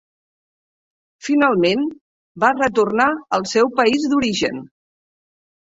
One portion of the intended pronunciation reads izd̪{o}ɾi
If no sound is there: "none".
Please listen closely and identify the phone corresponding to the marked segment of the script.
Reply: u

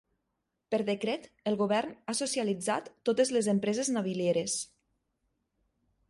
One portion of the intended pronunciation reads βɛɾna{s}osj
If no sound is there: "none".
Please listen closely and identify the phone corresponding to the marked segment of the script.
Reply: s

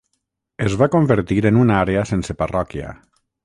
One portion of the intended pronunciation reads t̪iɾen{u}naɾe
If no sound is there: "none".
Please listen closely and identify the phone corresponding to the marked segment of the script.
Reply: u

